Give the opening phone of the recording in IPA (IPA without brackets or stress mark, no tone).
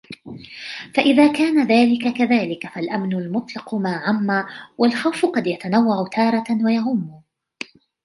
f